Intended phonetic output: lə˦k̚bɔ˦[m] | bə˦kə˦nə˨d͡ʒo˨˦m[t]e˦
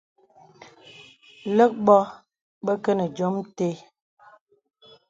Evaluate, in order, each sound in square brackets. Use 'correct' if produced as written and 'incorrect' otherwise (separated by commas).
incorrect, correct